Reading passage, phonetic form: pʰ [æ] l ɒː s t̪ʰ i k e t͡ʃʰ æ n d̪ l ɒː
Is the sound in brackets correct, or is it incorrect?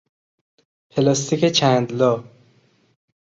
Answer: incorrect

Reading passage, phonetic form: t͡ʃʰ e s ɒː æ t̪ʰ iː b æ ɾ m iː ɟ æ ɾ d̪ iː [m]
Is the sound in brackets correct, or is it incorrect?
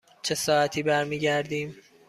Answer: correct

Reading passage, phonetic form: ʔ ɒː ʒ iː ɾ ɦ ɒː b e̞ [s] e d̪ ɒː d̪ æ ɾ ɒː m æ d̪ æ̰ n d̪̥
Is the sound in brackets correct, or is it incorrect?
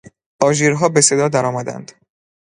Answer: correct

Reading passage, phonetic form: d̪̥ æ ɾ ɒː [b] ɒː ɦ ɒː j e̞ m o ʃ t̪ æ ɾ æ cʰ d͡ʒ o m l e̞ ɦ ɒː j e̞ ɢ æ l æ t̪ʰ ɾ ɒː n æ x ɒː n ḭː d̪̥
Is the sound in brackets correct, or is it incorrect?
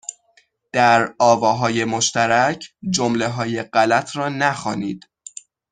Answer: incorrect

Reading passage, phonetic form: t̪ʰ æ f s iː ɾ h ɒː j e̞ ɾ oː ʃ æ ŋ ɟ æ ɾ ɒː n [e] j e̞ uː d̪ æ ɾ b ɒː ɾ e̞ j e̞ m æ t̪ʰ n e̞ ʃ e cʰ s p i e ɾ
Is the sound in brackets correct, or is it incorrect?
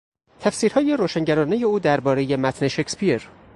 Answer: correct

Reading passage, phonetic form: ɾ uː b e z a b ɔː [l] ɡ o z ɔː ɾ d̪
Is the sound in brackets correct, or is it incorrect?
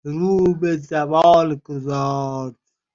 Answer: correct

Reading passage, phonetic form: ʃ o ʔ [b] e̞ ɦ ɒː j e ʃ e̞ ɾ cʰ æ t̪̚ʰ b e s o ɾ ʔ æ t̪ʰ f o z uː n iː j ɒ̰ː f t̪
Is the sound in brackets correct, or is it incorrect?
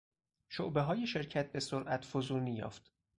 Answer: correct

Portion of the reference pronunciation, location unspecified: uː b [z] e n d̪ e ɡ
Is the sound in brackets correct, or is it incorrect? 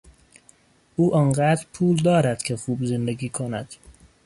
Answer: correct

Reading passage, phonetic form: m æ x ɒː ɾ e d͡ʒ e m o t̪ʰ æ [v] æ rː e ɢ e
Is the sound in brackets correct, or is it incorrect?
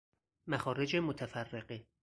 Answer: incorrect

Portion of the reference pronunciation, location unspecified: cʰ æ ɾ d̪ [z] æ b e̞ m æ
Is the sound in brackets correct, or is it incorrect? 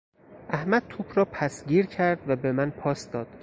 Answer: incorrect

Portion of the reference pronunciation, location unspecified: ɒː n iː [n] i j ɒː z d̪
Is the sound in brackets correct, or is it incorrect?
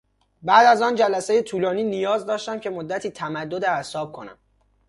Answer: correct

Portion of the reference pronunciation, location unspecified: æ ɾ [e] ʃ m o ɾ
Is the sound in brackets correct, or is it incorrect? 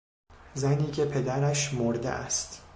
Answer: incorrect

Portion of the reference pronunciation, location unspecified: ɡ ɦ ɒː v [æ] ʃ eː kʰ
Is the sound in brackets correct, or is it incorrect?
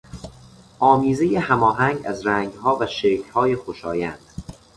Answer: correct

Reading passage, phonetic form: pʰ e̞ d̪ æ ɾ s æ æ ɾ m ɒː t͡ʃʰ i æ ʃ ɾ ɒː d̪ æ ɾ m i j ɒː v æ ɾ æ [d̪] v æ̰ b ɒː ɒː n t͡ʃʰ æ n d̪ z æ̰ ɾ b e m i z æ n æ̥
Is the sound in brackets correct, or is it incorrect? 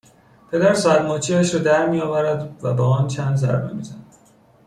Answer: correct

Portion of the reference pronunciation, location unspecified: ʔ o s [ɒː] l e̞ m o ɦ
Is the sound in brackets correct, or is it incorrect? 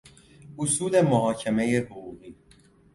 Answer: incorrect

